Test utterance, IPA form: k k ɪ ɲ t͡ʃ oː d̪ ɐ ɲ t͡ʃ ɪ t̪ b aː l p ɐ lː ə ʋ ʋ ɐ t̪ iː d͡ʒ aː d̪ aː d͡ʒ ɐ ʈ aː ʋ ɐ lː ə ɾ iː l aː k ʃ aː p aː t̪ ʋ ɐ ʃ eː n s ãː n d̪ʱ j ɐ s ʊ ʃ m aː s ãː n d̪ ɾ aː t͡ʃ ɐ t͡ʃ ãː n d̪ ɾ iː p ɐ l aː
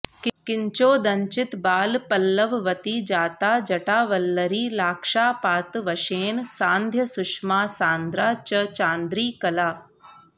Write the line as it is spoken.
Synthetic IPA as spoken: k k ɪ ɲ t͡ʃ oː d̪ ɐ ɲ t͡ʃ ɪ t̪ b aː l p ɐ lː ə ʋ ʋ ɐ t̪ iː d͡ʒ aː t̪ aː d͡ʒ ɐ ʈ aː ʋ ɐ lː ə ɾ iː l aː k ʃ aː p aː t̪ ʋ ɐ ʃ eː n s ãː n d̪ʱ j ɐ s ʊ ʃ m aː s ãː n d̪ ɾ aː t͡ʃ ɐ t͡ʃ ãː n d̪ ɾ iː k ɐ l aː